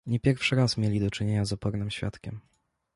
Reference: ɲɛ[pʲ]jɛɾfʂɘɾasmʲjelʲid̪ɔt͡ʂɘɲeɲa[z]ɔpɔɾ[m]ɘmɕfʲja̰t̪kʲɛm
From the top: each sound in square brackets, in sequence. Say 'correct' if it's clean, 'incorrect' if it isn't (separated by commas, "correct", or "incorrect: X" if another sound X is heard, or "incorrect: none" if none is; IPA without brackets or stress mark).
correct, correct, incorrect: n